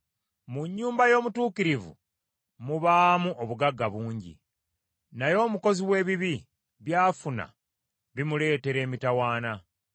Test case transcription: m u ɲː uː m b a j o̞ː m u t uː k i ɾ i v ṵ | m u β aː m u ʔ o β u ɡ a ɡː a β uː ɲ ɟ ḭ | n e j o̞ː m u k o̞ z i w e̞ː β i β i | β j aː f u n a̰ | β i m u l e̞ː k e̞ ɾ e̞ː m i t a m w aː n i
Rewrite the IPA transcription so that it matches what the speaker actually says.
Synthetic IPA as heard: m u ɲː uː m b a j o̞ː m u t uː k i ɾ i v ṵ | m u β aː m u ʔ o β u ɡ a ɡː a β uː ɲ ɟ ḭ | n a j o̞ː m u k o̞ z i w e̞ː β i β i | β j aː f u n a̰ | β i m u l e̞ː t e̞ ɾ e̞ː m i t a w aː n a